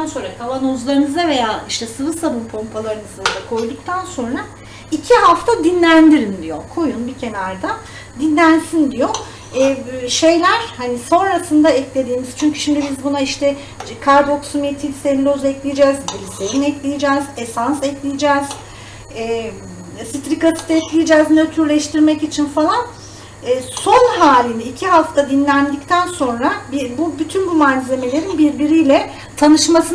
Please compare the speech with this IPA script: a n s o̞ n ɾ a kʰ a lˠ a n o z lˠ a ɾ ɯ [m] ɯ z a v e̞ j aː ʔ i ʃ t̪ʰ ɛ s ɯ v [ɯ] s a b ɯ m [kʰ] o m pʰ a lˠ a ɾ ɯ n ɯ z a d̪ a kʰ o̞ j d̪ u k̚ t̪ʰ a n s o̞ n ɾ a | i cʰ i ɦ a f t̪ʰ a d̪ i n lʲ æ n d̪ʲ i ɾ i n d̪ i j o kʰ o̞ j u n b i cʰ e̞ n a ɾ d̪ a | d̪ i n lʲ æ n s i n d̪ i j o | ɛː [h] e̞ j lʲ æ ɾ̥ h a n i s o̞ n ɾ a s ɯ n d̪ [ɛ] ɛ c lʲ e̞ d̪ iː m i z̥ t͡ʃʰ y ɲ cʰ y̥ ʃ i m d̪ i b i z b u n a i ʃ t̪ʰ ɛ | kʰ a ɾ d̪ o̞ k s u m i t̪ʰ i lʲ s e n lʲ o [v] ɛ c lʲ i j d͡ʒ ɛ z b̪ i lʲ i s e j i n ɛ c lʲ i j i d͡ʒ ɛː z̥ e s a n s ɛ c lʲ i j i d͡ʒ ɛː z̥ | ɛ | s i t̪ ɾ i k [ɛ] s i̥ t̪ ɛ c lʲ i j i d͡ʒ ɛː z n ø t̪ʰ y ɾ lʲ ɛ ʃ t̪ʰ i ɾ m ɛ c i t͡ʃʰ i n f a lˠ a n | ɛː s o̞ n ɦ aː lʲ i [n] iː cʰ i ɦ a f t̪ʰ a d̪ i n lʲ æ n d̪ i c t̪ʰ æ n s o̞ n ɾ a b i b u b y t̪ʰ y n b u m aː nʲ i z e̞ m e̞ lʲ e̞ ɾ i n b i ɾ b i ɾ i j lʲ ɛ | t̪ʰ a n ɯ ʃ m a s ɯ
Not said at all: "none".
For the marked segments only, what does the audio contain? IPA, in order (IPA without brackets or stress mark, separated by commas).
n, ɯ, pʰ, ʃ, a, z, a, n